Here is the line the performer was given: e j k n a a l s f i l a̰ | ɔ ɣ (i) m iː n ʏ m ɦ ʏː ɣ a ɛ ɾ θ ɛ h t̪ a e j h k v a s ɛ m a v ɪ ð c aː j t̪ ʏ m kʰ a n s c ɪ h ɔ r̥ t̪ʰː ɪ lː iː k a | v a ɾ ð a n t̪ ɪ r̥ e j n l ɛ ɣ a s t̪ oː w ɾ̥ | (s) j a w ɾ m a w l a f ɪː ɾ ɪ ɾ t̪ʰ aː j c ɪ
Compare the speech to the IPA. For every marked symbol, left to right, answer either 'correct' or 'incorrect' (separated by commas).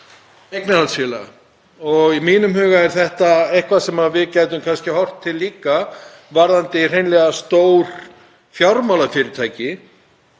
correct, incorrect